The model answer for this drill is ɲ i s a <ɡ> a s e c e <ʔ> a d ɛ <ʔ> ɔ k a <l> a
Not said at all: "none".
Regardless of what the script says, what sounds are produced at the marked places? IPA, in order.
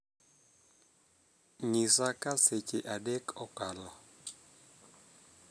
k, ʔ, k, l

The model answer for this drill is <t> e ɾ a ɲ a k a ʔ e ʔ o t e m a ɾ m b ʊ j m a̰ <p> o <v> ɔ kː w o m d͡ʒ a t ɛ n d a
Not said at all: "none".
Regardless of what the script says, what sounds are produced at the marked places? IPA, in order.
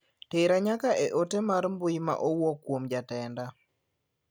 t, ʔ, w

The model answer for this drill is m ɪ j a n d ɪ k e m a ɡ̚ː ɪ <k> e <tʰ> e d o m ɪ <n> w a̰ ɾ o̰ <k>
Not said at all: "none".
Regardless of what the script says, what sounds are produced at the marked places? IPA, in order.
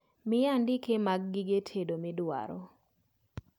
ɡ, tʰ, d, none

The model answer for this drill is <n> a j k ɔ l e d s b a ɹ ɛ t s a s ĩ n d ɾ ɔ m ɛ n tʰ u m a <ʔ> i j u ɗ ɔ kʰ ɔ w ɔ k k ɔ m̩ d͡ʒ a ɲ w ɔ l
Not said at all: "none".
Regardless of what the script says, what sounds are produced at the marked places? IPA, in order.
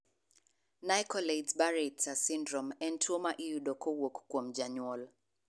n, ʔ

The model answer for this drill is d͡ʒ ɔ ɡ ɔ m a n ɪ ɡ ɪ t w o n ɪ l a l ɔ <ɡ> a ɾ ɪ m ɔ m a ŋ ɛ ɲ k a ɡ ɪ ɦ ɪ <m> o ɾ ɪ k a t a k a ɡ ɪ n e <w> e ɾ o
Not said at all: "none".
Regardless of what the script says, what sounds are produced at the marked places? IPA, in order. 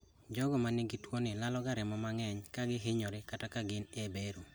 ɡ, ɲ, b

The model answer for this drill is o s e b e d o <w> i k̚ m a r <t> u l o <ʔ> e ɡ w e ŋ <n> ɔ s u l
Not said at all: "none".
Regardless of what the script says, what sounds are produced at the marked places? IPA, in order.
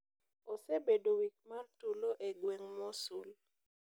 w, t, ʔ, m

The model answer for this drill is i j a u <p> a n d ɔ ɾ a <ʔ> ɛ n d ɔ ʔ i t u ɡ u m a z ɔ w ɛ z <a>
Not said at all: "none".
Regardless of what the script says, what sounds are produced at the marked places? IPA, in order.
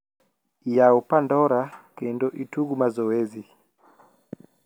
p, k, i

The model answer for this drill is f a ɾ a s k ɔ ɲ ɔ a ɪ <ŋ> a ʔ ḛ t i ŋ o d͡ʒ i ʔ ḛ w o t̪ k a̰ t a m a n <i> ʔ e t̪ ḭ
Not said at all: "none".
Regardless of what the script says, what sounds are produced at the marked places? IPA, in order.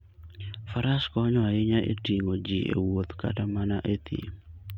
ɲ, a

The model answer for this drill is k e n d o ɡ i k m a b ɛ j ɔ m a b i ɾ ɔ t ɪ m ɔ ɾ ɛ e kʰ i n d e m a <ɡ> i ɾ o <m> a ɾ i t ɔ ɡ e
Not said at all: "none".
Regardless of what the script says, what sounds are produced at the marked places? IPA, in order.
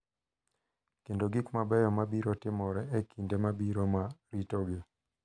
b, m

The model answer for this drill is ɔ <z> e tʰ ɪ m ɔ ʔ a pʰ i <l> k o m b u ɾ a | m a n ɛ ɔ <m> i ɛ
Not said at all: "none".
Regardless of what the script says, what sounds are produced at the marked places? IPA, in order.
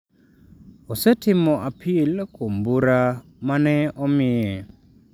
s, l, m

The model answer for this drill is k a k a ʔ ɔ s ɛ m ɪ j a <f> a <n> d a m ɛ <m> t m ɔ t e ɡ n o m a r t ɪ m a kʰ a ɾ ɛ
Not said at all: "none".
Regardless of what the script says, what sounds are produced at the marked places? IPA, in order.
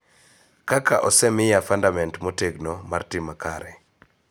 f, n, n

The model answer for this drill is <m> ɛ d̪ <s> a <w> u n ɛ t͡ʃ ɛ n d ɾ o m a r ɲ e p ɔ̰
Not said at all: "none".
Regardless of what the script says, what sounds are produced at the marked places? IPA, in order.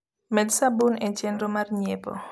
m, s, b

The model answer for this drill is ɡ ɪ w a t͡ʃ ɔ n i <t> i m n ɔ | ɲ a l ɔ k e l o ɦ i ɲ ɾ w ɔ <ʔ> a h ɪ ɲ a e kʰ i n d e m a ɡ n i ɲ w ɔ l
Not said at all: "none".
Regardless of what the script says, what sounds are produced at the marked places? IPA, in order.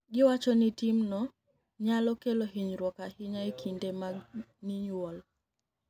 t, k

